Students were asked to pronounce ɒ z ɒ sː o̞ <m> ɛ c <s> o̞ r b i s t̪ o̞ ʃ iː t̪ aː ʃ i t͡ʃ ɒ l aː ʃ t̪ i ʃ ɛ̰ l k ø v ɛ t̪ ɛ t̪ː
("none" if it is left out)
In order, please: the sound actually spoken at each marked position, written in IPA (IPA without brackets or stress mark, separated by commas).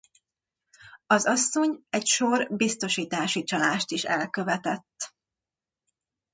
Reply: ɲ, ʃ